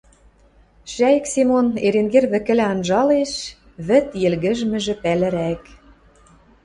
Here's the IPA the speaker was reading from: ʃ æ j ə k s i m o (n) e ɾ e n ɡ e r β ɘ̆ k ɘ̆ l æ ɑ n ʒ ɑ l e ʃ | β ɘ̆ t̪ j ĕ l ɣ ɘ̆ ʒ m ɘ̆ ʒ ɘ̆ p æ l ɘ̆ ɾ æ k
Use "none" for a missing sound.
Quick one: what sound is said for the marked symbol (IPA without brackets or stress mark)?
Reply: n